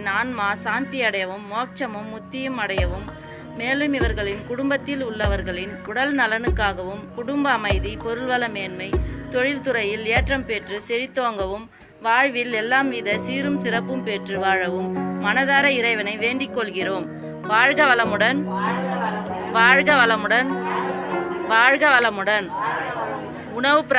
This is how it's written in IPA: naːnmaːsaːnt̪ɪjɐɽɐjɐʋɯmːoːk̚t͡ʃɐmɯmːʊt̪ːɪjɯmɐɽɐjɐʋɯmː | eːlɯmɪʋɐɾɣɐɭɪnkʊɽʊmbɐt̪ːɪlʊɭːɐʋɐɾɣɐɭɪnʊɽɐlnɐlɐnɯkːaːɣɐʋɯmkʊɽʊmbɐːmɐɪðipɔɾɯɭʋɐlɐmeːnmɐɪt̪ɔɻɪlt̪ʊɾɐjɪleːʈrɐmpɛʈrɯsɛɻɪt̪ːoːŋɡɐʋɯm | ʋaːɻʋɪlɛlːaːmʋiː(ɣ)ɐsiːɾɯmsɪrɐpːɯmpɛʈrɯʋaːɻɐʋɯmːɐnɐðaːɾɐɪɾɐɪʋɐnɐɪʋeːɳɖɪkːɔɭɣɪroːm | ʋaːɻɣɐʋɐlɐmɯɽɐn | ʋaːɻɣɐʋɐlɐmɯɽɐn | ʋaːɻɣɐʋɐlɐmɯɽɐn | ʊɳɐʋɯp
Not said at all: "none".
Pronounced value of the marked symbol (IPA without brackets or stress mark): ð